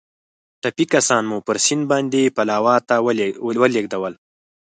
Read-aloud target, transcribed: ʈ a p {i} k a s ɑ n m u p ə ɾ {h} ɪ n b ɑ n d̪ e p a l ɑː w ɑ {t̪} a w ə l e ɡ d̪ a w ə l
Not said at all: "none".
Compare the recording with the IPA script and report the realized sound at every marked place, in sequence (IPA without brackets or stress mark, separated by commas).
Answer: i, s, t̪